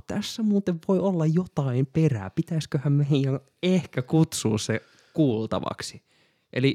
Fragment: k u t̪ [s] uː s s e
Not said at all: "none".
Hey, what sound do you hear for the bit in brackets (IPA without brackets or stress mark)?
s